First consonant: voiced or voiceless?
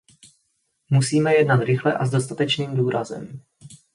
voiced